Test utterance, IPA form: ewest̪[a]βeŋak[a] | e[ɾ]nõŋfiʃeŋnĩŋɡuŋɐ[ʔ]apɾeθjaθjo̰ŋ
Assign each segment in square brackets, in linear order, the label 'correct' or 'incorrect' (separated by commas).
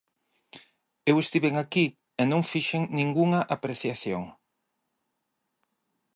incorrect, incorrect, incorrect, correct